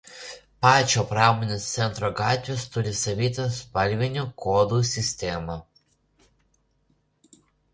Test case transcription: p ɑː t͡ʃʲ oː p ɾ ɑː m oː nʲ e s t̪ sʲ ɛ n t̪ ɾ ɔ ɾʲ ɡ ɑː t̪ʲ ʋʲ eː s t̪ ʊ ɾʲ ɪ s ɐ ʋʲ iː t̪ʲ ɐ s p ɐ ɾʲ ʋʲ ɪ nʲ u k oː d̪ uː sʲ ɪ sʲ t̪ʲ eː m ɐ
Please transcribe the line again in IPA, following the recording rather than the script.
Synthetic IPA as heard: p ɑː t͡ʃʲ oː p ɾ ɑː m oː nʲ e s t̪ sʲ ɛ n t̪ ɾ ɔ ɡ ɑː t̪ʲ ʋʲ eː s t̪ ʊ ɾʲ ɪ s ɐ ʋʲ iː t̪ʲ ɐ s p ɐ lʲ ʋʲ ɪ nʲ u k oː d̪ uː sʲ ɪ sʲ t̪ʲ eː m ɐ